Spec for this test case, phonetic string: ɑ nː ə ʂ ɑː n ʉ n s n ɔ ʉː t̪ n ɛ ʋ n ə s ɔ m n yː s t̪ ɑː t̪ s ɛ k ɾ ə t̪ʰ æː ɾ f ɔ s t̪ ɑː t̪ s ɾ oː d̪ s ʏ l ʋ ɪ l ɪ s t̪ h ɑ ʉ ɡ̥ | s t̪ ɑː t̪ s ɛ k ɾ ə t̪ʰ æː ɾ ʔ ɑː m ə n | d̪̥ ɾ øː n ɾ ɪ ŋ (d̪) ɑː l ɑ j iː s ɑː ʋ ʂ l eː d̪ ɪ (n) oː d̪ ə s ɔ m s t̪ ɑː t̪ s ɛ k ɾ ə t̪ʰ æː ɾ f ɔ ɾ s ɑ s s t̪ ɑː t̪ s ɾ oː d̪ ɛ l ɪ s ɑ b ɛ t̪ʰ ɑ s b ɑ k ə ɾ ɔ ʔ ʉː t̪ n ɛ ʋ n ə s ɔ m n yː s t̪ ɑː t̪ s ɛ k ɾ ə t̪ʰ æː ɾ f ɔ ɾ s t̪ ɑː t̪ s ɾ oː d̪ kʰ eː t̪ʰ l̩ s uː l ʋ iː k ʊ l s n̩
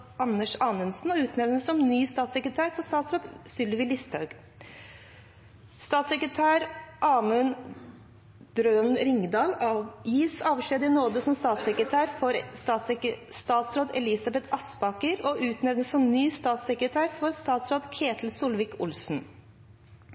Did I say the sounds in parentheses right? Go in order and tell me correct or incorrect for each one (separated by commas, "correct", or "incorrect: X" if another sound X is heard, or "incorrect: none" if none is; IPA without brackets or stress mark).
correct, correct